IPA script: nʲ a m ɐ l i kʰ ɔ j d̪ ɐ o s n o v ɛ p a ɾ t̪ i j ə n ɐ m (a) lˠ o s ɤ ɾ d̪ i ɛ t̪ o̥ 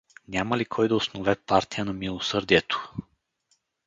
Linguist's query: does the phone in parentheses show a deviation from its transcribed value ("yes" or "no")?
yes